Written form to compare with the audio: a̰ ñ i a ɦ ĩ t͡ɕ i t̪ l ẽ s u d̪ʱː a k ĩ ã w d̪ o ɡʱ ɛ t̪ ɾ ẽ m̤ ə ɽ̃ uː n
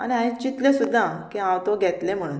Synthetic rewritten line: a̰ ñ i a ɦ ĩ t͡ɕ i t̪ l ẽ s u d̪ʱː a k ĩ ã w t̪ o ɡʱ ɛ t̪ l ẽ m̤ ə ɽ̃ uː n